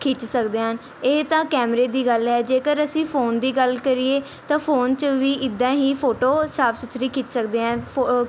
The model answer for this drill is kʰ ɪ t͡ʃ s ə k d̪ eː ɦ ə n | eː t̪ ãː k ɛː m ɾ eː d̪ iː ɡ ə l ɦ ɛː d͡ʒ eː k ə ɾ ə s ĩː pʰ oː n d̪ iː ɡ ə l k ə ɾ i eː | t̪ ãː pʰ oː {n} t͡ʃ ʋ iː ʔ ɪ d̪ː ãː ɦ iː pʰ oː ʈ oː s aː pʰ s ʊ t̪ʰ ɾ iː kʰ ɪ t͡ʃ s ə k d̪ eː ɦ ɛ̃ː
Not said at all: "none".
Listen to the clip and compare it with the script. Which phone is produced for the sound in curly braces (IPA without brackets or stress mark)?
n